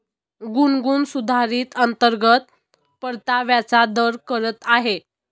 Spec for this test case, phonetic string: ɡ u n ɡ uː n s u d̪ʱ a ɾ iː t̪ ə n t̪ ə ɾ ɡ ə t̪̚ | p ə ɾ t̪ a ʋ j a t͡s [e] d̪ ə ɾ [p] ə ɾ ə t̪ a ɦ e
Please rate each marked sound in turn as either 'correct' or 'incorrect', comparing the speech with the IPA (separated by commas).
incorrect, incorrect